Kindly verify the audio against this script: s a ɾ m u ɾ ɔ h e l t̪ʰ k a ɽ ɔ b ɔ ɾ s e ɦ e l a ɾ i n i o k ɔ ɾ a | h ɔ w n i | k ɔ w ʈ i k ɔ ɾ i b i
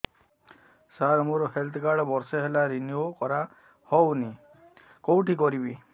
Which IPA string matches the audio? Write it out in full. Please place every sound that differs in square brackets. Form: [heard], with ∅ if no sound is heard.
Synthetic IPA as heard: s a ɾ m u ɾ ɔ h e l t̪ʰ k a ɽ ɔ b ɔ ɾ s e ɦ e l a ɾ i n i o k ɔ ɾ a | h ɔ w n i | k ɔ w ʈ i k ɔ ɾ i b i